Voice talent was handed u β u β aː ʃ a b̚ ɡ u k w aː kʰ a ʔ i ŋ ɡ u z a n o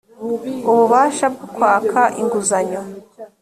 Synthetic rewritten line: u β u β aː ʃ a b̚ ɡ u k w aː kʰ a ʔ i ŋ ɡ u z a ɲ o